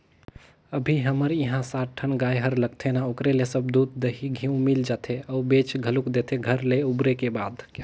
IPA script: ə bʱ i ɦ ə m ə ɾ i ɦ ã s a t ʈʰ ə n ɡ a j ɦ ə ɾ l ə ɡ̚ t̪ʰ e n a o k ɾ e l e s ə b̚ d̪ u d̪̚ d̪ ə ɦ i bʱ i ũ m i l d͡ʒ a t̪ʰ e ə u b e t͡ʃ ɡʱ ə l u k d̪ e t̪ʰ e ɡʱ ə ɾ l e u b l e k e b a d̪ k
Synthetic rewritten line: ə bʱ i ɦ ə m ə ɾ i ɦ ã s a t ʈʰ ə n ɡ a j ɦ ə ɾ l ə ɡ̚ t̪ʰ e n a o k ɾ e l e s ə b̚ d̪ u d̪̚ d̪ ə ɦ i ɡʱ i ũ m i l d͡ʒ a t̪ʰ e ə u b e t͡ʃ ɡʱ ə l u k d̪ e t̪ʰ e ɡʱ ə ɾ l e u b ɾ e k e b a d̪ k